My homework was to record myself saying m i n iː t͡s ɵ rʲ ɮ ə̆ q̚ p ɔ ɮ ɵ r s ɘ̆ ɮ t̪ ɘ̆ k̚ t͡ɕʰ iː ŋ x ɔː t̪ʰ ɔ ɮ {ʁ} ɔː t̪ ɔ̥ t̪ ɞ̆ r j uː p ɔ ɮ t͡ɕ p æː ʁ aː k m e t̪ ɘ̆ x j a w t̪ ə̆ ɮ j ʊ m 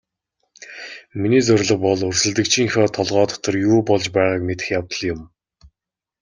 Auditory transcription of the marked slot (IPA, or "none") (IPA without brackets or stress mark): ʁ